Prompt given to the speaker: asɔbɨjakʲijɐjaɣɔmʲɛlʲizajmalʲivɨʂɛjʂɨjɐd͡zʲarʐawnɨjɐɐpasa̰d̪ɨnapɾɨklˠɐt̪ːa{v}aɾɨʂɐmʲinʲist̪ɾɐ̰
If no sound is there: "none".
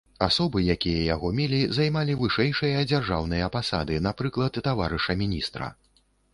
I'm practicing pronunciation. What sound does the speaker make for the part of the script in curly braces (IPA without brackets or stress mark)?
v